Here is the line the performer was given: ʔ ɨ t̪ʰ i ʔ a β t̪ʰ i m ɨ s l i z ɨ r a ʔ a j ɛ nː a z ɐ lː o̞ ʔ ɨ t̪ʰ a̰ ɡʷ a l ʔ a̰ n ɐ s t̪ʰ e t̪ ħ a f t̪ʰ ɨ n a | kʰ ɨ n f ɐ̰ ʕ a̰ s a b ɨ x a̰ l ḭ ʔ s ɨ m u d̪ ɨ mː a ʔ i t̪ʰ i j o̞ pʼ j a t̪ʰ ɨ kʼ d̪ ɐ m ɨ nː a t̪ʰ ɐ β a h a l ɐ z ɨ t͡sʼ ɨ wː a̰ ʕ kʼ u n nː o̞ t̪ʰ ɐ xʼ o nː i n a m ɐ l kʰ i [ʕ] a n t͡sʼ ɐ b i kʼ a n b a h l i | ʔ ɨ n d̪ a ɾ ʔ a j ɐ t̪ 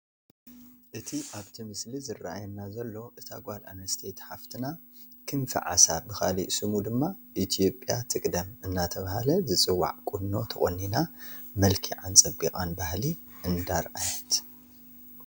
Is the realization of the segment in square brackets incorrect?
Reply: no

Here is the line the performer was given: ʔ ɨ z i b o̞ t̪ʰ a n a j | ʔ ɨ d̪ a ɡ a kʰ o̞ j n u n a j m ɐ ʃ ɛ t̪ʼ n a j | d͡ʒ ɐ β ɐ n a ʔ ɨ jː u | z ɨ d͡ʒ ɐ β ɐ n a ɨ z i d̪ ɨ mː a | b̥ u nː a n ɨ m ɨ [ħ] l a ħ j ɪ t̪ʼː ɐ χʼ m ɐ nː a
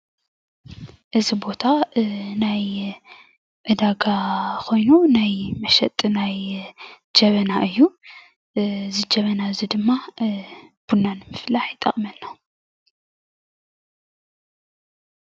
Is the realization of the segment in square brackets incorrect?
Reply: yes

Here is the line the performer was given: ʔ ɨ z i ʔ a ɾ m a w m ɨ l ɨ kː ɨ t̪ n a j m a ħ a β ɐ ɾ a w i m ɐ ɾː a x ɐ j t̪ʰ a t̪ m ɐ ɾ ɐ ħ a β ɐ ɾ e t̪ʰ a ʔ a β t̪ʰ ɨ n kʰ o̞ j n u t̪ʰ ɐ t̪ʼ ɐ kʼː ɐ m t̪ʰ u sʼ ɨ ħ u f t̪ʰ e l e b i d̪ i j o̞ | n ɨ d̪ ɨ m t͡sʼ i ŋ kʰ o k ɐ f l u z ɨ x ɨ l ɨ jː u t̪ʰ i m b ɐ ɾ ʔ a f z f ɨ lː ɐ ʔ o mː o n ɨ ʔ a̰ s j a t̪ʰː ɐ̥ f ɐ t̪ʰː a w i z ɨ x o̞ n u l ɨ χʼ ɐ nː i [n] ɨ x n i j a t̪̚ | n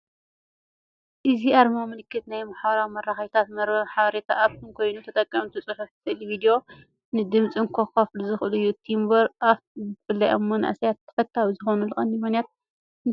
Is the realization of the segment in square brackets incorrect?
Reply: yes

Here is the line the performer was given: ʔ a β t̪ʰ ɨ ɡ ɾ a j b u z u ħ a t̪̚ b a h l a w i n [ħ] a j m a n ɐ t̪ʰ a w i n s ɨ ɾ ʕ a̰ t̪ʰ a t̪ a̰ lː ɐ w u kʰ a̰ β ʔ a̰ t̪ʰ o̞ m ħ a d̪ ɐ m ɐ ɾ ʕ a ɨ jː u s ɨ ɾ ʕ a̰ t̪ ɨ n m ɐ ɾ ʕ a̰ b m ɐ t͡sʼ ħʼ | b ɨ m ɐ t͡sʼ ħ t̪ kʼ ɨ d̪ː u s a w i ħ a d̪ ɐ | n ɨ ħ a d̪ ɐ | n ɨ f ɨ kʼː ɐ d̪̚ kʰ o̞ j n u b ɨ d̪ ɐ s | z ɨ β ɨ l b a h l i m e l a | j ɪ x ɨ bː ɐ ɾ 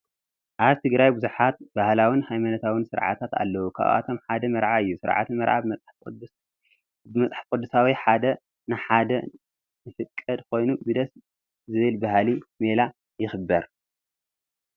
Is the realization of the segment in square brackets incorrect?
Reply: yes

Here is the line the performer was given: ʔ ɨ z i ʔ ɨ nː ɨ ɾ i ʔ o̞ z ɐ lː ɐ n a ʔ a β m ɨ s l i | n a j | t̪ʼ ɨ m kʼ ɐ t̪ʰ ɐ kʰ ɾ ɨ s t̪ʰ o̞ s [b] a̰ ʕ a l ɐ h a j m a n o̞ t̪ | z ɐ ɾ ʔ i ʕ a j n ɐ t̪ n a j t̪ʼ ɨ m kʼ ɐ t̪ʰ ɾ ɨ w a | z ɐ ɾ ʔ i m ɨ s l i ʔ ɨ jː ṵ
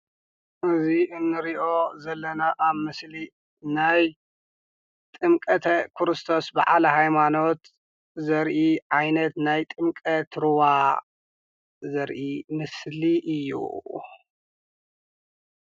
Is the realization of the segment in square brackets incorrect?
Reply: no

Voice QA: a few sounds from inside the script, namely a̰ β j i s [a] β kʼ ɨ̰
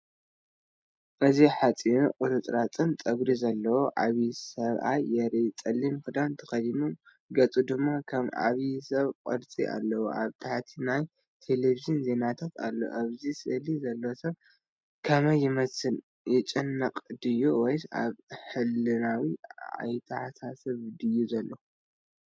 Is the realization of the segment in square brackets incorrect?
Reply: yes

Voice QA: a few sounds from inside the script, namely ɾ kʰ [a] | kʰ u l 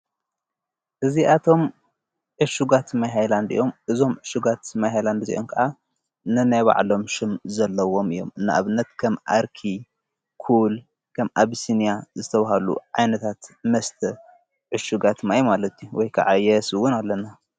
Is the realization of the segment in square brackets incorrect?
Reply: yes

